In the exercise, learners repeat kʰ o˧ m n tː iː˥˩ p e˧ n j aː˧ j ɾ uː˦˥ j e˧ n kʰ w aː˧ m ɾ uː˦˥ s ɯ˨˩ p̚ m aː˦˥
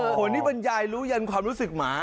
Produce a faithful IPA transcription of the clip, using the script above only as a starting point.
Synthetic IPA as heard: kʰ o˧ n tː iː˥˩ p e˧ n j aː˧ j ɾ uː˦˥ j a˧ n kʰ w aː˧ m ɾ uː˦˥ s ɯ˨˩ k̚ m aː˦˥